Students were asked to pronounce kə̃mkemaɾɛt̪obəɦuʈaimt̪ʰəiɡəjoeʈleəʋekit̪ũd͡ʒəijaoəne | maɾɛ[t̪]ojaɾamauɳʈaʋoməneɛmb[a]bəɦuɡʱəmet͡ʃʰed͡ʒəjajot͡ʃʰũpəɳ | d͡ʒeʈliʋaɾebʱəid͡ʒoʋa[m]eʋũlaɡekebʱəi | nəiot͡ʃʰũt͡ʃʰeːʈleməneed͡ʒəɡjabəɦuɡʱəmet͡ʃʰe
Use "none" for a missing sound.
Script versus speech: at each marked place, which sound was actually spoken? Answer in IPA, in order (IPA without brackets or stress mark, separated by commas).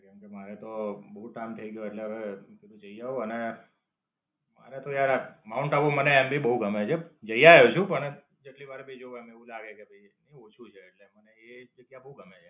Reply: t̪, i, m